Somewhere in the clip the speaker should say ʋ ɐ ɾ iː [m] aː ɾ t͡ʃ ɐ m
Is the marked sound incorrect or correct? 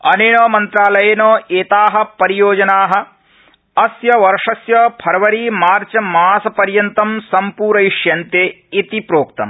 correct